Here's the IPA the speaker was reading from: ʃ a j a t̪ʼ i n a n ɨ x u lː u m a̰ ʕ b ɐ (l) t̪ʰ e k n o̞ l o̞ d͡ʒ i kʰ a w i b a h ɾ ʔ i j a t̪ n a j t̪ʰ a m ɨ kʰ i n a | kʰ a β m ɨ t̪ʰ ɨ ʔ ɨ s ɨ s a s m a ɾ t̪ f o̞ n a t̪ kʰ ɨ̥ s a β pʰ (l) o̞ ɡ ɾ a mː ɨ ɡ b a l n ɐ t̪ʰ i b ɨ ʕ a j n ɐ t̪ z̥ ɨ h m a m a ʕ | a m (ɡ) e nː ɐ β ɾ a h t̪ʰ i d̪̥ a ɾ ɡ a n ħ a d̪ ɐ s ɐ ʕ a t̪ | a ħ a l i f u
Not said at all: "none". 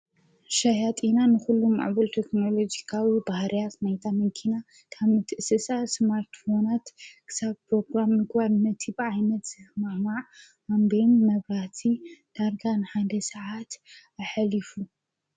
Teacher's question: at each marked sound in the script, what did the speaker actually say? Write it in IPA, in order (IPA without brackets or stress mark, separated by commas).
l, ɾ, b